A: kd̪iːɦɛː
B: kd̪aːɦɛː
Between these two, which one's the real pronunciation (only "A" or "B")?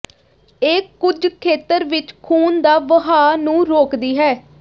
A